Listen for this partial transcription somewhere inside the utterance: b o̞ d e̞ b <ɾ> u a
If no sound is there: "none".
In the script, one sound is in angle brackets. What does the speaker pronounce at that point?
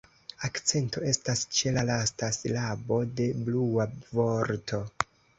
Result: l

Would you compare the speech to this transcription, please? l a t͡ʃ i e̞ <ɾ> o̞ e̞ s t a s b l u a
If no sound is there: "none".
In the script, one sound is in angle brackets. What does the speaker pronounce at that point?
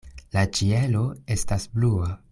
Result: l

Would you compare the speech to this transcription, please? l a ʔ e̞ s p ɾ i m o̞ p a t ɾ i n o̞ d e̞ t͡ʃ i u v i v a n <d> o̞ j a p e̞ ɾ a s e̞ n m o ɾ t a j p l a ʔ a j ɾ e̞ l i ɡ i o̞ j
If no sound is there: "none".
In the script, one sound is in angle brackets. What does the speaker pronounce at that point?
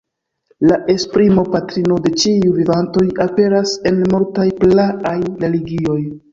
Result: t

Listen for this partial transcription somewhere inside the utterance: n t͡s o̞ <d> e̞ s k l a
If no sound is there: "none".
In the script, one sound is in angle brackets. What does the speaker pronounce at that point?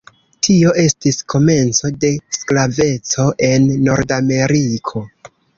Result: d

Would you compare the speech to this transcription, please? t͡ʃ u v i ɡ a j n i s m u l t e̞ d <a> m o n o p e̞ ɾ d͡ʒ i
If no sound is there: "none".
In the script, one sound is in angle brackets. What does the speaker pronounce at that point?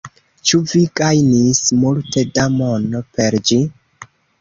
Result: a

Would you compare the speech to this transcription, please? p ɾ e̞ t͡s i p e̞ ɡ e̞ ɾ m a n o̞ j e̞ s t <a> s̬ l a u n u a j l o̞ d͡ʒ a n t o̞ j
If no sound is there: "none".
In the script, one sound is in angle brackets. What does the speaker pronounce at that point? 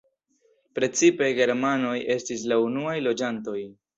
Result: i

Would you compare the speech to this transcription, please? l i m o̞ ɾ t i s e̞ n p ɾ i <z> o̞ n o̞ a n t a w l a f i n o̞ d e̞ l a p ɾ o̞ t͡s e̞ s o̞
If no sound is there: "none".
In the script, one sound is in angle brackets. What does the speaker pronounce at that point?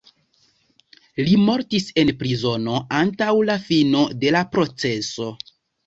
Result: z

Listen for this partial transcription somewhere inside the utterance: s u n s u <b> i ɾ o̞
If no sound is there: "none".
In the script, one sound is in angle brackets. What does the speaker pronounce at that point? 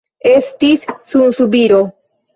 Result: b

